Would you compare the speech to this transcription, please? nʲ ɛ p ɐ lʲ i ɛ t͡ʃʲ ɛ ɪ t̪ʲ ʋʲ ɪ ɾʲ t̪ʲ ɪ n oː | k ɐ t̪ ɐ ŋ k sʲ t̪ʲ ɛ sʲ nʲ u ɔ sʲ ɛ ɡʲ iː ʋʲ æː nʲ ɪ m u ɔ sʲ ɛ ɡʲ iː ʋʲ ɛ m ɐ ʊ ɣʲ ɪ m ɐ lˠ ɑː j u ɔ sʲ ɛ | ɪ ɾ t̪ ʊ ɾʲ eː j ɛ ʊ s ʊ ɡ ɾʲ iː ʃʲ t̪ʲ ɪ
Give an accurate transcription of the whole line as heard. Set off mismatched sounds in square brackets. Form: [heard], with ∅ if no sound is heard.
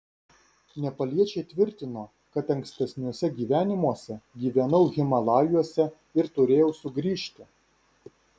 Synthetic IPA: nʲ ɛ p ɐ lʲ i ɛ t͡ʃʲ ɛ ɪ t̪ʲ ʋʲ ɪ ɾʲ t̪ʲ ɪ n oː | k ɐ t̪ ɐ ŋ k sʲ t̪ʲ ɛ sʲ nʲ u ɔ sʲ ɛ ɡʲ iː ʋʲ æː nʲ ɪ m u ɔ sʲ ɛ ɡʲ iː ʋʲ ɛ [n] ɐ ʊ ɣʲ ɪ m ɐ lˠ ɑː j u ɔ sʲ ɛ | ɪ ɾ t̪ ʊ ɾʲ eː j ɛ ʊ s ʊ ɡ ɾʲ iː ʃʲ t̪ʲ ɪ

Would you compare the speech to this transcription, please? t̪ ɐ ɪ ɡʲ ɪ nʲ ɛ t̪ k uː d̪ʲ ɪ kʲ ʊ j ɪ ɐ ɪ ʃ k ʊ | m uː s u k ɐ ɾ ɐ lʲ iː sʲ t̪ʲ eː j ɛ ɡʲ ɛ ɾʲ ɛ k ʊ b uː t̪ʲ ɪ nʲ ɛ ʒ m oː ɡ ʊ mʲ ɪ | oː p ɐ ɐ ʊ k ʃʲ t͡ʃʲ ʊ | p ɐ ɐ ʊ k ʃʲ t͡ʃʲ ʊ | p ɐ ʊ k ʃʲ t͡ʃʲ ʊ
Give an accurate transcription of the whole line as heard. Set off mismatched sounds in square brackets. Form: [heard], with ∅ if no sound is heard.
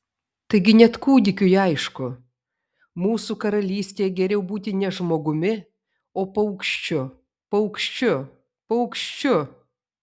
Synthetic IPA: t̪ ɐ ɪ ɡʲ ɪ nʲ ɛ t̪ k uː d̪ʲ ɪ kʲ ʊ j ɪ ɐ ɪ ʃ k ʊ | m uː s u k ɐ ɾ ɐ lʲ iː sʲ t̪ʲ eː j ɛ ɡʲ ɛ ɾʲ ɛ [∅] ʊ b uː t̪ʲ ɪ nʲ ɛ ʒ m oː ɡ ʊ mʲ ɪ | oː p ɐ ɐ ʊ k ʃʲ t͡ʃʲ ʊ | p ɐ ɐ ʊ k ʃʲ t͡ʃʲ ʊ | p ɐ ʊ k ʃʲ t͡ʃʲ ʊ

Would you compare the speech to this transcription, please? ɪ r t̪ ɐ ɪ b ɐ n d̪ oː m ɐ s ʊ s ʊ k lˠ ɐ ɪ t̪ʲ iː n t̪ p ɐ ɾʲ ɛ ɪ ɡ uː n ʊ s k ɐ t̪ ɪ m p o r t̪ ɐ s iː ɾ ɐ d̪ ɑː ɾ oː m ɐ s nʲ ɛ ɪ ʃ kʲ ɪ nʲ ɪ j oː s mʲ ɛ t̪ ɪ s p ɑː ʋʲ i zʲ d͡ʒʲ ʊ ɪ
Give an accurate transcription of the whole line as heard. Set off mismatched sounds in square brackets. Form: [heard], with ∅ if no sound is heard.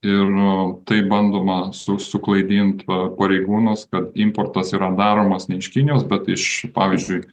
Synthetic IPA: ɪ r t̪ ɐ ɪ b ɐ n d̪ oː m ɐ s ʊ s ʊ k lˠ ɐ ɪ [d̪ʲ] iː n t̪ p ɐ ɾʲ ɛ ɪ ɡ uː n ʊ s k ɐ t̪ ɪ m p o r t̪ ɐ s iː ɾ ɐ d̪ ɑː ɾ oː m ɐ s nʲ ɛ ɪ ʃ kʲ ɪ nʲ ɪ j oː s [bʲ] ɛ t̪ ɪ [ʃ] p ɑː ʋʲ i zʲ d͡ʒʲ ʊ ɪ

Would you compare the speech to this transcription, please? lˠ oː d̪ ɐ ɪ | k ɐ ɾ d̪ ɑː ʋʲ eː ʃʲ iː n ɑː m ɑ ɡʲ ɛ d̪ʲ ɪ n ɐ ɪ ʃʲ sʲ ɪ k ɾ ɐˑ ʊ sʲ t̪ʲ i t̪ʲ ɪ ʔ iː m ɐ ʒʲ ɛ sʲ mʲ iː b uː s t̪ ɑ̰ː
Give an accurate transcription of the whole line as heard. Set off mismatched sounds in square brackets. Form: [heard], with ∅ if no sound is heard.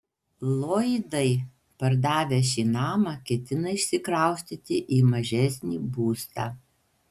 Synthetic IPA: lˠ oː d̪ ɐ ɪ | [p] ɐ ɾ d̪ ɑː ʋʲ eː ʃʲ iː n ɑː m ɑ [kʲ] ɛ [t̪ʲ] ɪ n ɐ ɪ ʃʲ sʲ ɪ k ɾ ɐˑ ʊ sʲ t̪ʲ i t̪ʲ ɪ ʔ iː m ɐ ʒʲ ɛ sʲ [nʲ] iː b uː s t̪ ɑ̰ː

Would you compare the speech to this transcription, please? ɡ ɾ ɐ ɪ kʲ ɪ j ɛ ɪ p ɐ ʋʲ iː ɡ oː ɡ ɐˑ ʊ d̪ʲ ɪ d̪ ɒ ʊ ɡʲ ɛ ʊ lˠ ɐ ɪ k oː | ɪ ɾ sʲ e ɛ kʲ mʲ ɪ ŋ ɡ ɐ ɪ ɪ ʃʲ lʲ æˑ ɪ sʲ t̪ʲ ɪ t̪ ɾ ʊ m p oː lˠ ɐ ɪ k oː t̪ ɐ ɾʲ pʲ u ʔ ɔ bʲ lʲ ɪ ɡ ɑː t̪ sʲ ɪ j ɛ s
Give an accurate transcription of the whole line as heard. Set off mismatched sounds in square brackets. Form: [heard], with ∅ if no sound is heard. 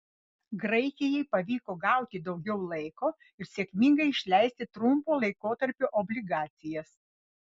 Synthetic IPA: ɡ ɾ ɐ ɪ kʲ ɪ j ɛ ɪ p ɐ ʋʲ iː [k] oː ɡ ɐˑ ʊ [t̪ʲ] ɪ d̪ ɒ ʊ ɡʲ ɛ ʊ lˠ ɐ ɪ k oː | ɪ ɾ sʲ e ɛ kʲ mʲ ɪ ŋ ɡ ɐ ɪ ɪ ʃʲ lʲ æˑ ɪ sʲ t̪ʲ ɪ t̪ ɾ ʊ m p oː lˠ ɐ ɪ k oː t̪ ɐ ɾʲ pʲ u ʔ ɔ bʲ lʲ ɪ ɡ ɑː t̪ sʲ ɪ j ɛ s

